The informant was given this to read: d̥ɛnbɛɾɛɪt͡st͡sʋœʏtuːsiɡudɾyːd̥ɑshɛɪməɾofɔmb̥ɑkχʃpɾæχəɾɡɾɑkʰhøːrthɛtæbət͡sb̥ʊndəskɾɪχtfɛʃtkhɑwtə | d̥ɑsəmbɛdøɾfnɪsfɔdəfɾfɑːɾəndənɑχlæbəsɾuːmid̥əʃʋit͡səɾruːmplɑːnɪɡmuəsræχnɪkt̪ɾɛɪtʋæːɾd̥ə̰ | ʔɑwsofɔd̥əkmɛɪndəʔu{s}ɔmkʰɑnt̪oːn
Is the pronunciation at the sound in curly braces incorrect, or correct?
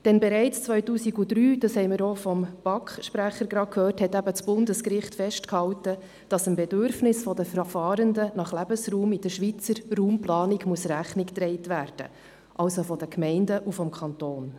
incorrect